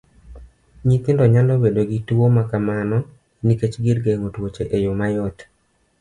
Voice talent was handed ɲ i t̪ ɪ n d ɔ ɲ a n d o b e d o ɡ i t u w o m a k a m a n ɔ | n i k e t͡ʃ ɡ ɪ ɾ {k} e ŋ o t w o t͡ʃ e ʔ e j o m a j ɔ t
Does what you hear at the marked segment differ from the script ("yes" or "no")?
yes